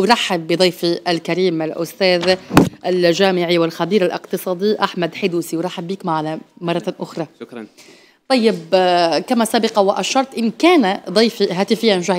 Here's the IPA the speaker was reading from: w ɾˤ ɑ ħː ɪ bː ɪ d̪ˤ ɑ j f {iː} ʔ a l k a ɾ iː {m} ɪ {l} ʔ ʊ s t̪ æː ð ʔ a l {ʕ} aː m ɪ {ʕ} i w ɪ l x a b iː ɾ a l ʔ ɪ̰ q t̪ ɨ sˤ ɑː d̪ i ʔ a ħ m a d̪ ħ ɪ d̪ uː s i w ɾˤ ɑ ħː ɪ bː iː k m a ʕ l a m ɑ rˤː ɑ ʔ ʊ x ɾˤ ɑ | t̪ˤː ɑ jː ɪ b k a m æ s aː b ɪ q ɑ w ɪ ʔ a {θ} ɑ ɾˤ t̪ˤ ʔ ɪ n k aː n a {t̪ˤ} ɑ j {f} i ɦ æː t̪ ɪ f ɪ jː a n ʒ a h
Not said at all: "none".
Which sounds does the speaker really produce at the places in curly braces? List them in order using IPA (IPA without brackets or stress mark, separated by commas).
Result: i, m, l, ʒ, ʕ, ʃ, d̪ˤ, f